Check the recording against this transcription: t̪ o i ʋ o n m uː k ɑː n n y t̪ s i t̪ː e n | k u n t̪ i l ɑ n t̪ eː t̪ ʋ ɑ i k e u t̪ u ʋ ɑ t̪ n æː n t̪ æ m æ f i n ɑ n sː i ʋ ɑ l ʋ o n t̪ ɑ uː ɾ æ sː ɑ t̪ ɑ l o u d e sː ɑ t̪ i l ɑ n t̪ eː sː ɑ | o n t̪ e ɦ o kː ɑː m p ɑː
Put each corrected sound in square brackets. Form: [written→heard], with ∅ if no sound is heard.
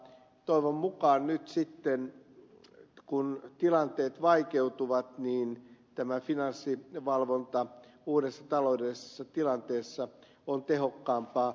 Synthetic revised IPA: t̪ o i ʋ o [n→m] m [uː→u] k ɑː n n y t̪ s i t̪ː e n | k u n t̪ i l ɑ n t̪ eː t̪ ʋ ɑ i k e u t̪ u ʋ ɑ t̪ n [æː→iː] n t̪ æ m æ f i n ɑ n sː i ʋ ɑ l ʋ o n t̪ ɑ uː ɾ [æ→e] sː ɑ t̪ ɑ l o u d e sː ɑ t̪ i l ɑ n t̪ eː sː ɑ | o n t̪ e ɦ o kː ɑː m p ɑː